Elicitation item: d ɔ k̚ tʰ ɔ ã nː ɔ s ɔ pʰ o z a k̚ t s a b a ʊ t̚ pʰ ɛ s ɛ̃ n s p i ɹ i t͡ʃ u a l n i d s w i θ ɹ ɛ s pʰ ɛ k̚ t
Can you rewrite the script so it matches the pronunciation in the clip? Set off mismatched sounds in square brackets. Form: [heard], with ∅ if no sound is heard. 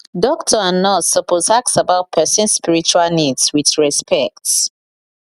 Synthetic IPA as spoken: d ɔ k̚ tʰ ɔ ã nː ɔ s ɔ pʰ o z a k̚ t s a b a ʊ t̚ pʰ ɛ s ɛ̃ n s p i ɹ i t͡ʃ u a l n i d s w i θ ɹ ɛ s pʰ ɛ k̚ t